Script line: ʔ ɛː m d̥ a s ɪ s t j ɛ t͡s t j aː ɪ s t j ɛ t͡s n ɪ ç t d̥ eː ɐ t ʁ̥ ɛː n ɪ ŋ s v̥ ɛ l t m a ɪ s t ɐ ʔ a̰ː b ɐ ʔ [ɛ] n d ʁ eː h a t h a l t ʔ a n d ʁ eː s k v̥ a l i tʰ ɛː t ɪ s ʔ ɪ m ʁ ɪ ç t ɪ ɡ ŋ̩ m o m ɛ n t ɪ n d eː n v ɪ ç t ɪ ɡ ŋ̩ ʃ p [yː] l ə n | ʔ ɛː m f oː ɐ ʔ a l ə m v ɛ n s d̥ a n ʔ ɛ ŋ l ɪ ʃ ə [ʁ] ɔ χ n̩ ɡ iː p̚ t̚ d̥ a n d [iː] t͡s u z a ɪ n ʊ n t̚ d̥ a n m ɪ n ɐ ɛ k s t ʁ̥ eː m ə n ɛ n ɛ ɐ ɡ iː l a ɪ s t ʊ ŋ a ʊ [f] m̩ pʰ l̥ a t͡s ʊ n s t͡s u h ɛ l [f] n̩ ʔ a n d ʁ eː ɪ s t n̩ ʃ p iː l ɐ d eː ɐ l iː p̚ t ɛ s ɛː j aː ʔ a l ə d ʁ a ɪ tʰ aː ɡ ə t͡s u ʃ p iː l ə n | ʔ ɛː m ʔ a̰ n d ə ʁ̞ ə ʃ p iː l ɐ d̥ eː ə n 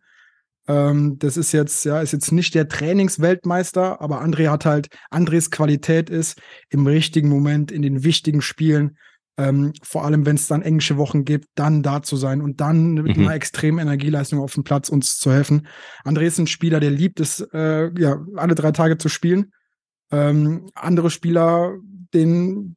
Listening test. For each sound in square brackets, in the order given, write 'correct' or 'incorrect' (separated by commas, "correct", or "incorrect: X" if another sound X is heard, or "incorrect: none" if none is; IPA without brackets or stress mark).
incorrect: a, incorrect: iː, incorrect: v, incorrect: aː, correct, correct